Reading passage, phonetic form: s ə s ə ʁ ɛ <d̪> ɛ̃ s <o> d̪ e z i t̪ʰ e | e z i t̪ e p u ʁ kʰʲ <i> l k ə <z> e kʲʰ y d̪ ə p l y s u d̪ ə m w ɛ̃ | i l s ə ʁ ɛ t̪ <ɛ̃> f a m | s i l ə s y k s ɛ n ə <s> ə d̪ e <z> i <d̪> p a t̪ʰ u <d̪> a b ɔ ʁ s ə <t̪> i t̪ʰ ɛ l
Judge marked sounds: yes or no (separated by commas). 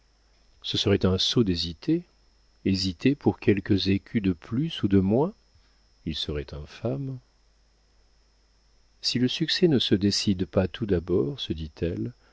no, yes, no, yes, yes, yes, no, yes, yes, no